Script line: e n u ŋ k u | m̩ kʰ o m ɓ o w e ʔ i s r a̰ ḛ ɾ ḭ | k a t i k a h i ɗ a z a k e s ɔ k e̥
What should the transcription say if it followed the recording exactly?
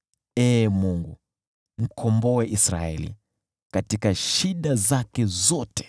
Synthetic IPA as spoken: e m u ŋ ɡ u | m̩ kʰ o m b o w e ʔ i s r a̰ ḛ l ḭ | k a t i k a ʃ i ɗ a z a k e z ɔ t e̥